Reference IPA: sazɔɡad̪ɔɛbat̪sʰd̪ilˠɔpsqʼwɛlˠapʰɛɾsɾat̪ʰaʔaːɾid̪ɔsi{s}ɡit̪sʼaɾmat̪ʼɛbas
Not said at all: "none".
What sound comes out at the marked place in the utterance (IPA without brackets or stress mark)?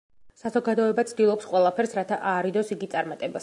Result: none